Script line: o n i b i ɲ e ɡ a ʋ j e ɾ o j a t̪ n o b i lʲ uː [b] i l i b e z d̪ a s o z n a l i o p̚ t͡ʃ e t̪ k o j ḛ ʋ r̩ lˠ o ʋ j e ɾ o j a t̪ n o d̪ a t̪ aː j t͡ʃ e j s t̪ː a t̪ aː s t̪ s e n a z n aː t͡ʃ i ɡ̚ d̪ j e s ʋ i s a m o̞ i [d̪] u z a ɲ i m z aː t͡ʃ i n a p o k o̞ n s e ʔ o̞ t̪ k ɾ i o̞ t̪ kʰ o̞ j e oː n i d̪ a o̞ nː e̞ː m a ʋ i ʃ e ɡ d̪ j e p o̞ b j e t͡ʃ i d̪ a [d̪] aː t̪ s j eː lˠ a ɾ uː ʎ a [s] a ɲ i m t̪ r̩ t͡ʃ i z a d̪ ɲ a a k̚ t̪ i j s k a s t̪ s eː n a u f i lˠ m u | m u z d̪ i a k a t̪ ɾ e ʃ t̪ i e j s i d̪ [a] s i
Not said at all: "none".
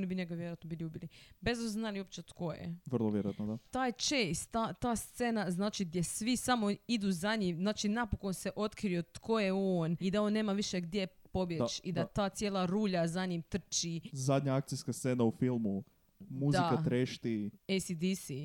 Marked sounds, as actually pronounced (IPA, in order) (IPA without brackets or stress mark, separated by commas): b, d̪, t̪, z, i